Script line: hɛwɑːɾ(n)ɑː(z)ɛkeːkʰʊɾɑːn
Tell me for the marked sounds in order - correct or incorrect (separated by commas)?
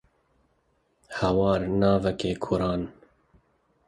correct, incorrect